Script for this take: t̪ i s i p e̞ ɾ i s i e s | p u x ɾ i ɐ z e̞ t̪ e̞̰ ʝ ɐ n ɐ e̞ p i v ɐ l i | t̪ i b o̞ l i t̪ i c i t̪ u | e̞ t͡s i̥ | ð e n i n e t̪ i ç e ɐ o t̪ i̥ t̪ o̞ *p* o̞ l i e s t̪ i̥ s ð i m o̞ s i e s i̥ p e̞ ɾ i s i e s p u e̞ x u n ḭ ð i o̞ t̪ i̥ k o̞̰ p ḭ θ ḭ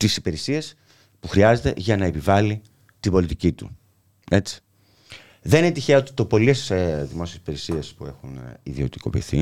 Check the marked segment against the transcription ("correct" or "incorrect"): correct